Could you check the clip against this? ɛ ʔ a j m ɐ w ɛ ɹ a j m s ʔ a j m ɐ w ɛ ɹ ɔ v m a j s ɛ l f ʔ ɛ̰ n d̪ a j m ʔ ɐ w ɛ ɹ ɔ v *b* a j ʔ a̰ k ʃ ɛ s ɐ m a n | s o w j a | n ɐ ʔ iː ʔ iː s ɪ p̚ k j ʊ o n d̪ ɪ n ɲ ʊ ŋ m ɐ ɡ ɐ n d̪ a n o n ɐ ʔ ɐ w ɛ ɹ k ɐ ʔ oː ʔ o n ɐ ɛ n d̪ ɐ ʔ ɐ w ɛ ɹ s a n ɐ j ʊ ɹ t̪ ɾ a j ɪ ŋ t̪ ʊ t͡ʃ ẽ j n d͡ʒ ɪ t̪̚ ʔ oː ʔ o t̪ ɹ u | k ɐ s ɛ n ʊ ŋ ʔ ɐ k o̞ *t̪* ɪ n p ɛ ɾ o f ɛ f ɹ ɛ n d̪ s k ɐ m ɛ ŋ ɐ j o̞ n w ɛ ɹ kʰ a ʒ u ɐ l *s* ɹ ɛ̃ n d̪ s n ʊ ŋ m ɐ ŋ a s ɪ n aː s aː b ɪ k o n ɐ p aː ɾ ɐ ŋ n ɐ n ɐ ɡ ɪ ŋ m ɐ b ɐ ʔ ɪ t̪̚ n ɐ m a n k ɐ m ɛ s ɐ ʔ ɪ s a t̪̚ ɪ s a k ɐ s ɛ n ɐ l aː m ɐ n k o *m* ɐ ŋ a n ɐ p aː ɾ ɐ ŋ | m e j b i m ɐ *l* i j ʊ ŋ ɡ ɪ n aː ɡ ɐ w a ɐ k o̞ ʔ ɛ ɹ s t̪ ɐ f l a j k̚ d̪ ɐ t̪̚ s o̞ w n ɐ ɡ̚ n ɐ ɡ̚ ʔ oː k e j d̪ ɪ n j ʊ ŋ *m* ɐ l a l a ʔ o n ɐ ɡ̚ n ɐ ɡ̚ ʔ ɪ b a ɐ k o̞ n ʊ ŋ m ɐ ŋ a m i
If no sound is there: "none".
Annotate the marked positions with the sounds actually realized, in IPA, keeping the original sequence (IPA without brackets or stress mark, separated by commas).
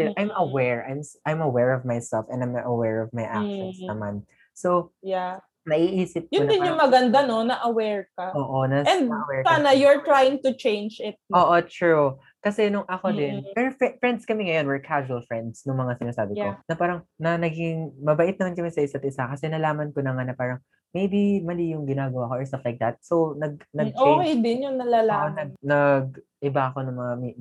m, d̪, f, n, l, n